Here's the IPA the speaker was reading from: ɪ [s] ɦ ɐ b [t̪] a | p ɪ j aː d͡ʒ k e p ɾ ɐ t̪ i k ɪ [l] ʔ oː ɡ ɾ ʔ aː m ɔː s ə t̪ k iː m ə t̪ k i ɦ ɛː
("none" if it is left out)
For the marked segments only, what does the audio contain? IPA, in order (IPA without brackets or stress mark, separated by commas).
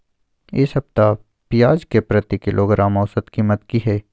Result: s, t̪, l